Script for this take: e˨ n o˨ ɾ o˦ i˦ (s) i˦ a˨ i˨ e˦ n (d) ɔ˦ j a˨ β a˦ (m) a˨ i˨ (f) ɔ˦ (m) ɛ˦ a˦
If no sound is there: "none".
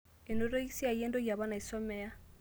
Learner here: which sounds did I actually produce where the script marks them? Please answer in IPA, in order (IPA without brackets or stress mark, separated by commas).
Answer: s, d, n, s, m